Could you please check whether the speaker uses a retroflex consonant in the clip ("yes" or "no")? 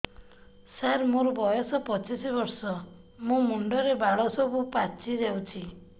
yes